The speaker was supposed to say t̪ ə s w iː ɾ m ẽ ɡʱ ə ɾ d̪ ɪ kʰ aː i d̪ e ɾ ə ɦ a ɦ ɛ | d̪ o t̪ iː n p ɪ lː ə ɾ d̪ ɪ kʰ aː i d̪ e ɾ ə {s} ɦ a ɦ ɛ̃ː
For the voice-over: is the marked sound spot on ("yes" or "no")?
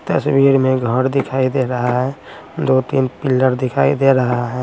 no